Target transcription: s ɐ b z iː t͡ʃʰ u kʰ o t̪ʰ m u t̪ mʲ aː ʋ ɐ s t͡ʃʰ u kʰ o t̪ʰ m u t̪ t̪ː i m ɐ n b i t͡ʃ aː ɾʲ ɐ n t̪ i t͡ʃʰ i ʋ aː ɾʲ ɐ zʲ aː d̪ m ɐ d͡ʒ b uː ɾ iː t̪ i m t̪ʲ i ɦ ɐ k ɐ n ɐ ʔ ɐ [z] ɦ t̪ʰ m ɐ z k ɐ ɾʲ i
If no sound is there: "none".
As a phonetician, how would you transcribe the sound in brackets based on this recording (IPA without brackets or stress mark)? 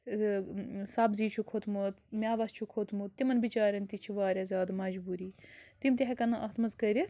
none